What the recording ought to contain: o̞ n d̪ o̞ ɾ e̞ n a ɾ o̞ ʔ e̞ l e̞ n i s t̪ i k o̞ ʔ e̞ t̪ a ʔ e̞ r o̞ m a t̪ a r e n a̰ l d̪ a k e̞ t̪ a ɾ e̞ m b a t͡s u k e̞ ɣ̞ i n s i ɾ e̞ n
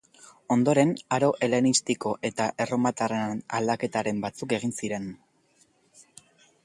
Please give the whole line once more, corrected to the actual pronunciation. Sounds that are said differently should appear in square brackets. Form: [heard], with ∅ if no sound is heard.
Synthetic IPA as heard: o̞ n d̪ o̞ ɾ e̞ n a ɾ o̞ ʔ e̞ l e̞ n i s t̪ i k o̞ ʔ e̞ t̪ a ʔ e̞ r o̞ m a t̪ a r e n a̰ l d̪ a k e̞ t̪ a ɾ e̞ m b a t͡s u k e̞ ɣ̞ i n s i ɾ e̞ n